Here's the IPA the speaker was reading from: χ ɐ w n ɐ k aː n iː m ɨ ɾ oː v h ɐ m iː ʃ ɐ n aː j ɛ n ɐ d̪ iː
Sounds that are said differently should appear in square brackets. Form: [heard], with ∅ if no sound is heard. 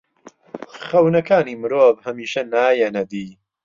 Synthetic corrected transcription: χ ɐ w n ɐ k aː n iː m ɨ ɾ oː v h ɐ m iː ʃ ɐ n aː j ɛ n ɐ d̪ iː

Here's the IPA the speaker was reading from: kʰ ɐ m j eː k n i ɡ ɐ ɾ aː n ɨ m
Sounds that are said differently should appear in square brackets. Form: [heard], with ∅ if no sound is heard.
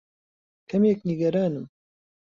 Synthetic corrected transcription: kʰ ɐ m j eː k n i ɡ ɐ ɾ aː n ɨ m

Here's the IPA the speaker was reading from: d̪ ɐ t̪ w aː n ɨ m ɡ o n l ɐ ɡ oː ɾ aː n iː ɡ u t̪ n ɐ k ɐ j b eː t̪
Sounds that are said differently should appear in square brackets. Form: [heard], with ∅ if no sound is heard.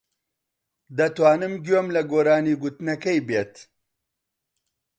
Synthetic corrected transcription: d̪ ɐ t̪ w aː n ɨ m ɡ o [m] l ɐ ɡ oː ɾ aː n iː ɡ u t̪ n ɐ k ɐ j b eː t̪

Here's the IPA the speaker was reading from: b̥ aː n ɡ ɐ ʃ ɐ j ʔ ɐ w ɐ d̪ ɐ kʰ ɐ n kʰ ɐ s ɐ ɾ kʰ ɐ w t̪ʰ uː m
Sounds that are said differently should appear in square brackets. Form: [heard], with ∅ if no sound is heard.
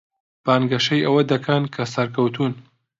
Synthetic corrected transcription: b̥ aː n ɡ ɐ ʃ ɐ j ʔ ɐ w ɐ d̪ ɐ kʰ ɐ n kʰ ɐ s ɐ ɾ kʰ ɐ w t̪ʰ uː [n]

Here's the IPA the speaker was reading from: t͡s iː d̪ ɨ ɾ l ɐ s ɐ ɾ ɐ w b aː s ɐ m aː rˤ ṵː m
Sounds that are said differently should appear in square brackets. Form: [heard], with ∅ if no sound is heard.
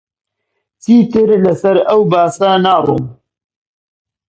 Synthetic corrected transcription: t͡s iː [t̪] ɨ ɾ l ɐ s ɐ ɾ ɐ w b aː s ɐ [n] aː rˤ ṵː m

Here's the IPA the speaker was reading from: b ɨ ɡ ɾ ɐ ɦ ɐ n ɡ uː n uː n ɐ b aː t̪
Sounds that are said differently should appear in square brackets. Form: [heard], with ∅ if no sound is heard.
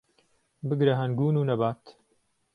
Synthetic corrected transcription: b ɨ ɡ ɾ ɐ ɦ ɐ n ɡ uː n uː n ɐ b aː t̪

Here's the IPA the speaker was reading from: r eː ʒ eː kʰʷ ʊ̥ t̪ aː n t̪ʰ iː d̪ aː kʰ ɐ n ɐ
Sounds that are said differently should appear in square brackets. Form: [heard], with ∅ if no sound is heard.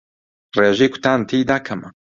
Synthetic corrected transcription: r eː ʒ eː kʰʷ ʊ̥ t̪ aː n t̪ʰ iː d̪ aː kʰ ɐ [m] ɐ

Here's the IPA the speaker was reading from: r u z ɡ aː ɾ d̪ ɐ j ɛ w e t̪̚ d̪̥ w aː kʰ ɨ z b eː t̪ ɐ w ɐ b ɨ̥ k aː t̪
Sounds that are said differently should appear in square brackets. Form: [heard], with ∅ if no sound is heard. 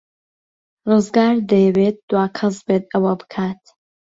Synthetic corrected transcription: r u z ɡ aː ɾ d̪ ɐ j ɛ w e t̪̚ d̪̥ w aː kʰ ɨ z b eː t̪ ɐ w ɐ b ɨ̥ [kʰ] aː t̪

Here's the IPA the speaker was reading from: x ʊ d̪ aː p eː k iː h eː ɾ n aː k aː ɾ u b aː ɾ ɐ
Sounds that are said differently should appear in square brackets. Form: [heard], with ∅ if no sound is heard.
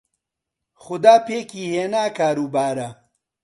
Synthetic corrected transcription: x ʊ d̪ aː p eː k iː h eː [∅] n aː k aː ɾ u b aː ɾ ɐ

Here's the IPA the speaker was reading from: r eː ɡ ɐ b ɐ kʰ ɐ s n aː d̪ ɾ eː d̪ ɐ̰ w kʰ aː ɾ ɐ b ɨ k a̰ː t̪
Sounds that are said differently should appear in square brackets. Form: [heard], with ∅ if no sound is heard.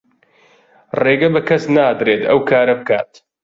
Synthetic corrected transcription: r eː ɡ ɐ b ɐ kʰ ɐ s n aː d̪ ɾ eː [t̪] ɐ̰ w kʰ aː ɾ ɐ b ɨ k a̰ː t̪

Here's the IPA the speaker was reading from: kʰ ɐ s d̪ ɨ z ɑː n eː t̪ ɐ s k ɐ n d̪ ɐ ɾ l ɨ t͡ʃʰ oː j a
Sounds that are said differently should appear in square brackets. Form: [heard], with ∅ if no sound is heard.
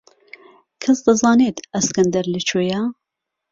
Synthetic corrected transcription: kʰ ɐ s d̪ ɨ z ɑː n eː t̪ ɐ s k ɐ n d̪ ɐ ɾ l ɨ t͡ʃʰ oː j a

